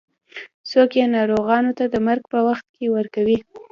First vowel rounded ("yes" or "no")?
yes